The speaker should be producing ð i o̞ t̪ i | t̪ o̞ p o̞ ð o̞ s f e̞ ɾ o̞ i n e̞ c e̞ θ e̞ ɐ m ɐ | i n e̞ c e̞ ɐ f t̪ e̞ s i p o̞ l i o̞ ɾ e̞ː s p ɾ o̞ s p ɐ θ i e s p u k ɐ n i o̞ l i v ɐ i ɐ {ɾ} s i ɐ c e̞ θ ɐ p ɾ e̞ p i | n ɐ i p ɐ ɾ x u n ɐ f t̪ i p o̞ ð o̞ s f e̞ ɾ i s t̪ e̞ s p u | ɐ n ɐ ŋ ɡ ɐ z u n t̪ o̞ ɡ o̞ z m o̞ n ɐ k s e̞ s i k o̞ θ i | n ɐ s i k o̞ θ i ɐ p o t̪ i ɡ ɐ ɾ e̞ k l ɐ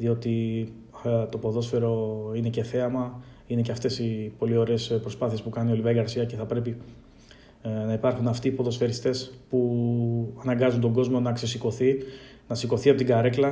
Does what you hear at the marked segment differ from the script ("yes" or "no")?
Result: no